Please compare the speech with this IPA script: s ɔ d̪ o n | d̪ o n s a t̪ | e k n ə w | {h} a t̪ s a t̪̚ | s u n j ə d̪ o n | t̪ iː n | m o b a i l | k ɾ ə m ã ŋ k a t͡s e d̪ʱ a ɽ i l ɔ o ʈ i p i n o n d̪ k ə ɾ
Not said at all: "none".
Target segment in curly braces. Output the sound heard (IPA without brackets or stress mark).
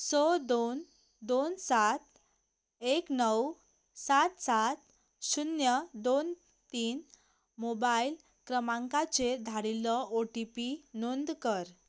s